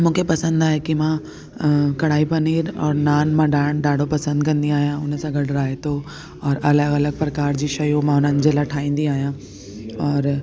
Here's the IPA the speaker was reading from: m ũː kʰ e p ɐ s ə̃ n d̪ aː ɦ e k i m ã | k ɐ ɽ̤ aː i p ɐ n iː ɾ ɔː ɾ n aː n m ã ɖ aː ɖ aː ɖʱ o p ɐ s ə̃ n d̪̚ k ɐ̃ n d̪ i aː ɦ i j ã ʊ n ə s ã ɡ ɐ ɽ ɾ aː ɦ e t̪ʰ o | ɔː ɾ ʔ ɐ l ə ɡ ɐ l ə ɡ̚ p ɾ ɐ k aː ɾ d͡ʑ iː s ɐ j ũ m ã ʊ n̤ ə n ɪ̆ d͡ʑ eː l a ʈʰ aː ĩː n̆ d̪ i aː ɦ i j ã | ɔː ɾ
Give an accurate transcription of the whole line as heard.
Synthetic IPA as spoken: m ũː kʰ e p ɐ s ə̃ n d̪ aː ɦ e k i m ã | k ɐ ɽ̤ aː i p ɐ n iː ɾ ɔː ɾ n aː n m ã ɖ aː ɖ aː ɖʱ o p ɐ s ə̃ n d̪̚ k ɐ̃ n d̪ i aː ɦ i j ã ʊ n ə s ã ɡ ɐ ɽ ɾ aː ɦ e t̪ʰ o | ɔː ɾ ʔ ɐ l ə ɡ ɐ l ə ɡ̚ p ɾ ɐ k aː ɾ d͡ʑ iː ʃ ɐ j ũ m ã ʊ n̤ ə n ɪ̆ d͡ʑ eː l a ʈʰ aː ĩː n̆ d̪ i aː ɦ i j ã | ɔː ɾ